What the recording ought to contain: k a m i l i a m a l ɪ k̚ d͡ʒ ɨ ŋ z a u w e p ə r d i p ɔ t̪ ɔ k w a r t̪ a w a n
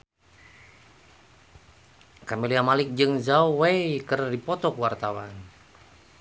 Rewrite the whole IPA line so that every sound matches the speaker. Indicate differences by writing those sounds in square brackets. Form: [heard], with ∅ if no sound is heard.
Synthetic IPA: k a m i l i a m a l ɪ k̚ d͡ʒ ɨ ŋ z a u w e [k] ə r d i p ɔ t̪ ɔ k w a r t̪ a w a n